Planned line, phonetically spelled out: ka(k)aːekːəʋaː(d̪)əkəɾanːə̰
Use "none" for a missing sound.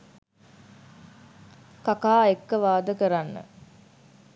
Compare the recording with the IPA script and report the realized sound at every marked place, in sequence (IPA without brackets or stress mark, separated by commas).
k, d̪